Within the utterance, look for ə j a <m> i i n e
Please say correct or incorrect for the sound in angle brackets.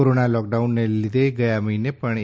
correct